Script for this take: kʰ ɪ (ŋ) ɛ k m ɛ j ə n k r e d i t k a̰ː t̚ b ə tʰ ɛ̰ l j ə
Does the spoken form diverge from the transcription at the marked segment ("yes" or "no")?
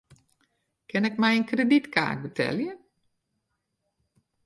yes